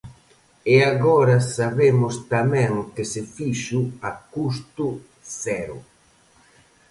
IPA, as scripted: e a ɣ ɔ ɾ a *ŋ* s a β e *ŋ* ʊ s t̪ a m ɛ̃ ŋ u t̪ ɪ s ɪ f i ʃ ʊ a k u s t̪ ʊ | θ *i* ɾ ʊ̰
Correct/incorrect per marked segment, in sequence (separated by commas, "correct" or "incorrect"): incorrect, incorrect, incorrect